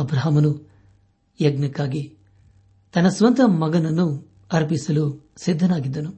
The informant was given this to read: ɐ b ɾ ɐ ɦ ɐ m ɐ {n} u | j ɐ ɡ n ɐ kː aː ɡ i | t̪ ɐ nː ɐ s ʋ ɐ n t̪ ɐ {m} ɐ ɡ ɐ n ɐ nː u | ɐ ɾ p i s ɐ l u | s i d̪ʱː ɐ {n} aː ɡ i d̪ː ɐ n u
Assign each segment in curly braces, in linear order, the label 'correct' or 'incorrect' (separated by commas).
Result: correct, correct, correct